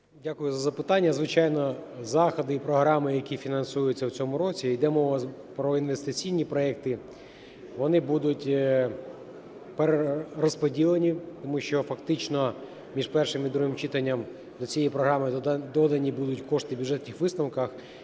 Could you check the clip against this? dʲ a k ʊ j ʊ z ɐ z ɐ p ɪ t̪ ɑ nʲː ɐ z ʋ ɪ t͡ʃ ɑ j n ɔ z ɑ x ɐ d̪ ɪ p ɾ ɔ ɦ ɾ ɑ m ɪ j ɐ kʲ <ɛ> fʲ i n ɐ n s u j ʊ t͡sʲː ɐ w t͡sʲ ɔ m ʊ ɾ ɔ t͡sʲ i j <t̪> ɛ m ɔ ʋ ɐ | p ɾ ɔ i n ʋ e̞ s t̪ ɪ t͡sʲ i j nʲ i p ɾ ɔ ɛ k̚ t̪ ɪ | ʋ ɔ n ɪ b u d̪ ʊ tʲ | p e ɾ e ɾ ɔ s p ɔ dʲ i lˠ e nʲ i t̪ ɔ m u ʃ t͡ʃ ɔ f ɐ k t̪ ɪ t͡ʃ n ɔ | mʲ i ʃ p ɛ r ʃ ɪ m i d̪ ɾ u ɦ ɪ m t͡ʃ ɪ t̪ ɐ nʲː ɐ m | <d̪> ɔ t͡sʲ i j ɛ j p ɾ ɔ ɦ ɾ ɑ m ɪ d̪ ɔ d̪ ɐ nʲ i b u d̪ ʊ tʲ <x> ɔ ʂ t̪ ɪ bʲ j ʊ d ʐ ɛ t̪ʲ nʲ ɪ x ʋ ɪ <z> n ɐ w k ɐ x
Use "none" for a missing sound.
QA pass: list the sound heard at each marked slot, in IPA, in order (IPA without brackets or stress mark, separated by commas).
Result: i, d̪, d̪, k, s